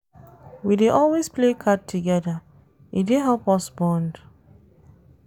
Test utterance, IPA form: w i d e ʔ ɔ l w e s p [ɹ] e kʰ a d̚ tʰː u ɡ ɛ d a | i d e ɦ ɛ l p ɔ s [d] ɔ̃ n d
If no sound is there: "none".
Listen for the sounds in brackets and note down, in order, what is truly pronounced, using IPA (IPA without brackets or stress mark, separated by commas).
l, b